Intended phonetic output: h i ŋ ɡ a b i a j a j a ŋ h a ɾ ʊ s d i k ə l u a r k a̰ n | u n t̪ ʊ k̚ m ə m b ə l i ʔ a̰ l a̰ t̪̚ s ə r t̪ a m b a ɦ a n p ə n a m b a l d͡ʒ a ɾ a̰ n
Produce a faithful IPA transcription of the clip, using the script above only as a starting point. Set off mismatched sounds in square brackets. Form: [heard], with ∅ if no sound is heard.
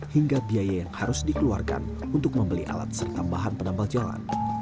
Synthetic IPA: h i ŋ ɡ a b i a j a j a ŋ h a ɾ ʊ s d i k ə l u a r k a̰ n | u n t̪ ʊ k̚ m ə m b ə l i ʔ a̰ l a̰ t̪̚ s ə r t̪ a m b a ɦ a n p ə n a m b a l d͡ʒ a [l] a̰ n